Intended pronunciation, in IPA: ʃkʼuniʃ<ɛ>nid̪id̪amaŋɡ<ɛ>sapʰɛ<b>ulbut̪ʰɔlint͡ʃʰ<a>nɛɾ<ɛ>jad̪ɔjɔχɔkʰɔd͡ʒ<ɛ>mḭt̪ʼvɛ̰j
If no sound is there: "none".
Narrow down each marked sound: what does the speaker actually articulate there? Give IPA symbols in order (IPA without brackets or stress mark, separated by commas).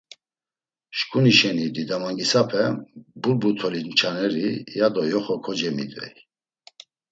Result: ɛ, i, b, a, i, ɛ